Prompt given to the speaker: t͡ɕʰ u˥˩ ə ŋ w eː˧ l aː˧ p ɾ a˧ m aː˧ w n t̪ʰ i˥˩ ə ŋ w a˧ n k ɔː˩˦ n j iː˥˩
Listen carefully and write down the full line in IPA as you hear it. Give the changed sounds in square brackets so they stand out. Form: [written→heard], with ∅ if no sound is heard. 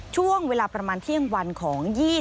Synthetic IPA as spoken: t͡ɕʰ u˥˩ ə ŋ w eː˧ l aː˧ p ɾ a˧ m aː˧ [w→∅] n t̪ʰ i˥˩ ə ŋ w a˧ n [k→kʰ] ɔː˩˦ [n→ŋ] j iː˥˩